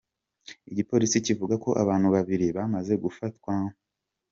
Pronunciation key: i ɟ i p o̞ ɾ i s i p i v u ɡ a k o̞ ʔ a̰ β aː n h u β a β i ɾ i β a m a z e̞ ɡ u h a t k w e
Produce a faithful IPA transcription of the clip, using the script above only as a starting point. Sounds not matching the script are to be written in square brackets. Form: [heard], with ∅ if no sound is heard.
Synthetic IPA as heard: i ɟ i p o̞ ɾ i s i [c] i v u ɡ a k o̞ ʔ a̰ β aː n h u β a β i ɾ i β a m a z e̞ ɡ u [f] a t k w [a]